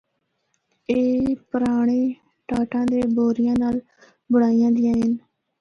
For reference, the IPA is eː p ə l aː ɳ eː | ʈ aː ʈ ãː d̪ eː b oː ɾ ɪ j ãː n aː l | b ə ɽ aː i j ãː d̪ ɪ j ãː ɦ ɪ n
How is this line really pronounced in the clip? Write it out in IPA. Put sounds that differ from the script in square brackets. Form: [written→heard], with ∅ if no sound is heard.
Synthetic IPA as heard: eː p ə [l→ɾ] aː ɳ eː | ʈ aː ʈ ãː d̪ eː b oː ɾ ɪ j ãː n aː l | b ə ɽ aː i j ãː d̪ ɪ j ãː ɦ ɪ n